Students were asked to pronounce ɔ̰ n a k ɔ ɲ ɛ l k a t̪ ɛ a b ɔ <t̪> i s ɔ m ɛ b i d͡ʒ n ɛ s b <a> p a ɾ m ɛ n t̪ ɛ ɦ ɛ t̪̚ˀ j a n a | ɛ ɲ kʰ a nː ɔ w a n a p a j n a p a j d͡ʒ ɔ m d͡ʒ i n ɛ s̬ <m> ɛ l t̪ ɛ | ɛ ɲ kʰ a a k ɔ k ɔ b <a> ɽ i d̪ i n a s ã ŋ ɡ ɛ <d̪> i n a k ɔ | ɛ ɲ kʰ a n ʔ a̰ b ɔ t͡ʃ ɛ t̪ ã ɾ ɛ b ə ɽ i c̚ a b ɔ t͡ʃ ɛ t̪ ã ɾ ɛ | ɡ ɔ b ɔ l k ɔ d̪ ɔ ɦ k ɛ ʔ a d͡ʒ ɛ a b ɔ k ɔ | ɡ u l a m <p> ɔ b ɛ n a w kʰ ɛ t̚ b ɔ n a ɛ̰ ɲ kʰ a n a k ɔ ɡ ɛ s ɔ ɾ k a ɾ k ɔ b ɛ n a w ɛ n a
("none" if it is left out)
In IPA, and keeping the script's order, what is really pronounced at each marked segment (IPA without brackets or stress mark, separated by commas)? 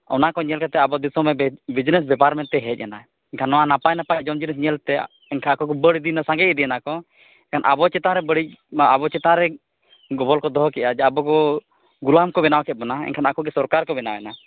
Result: d̪, ɛ, ɲ, ə, d̪, k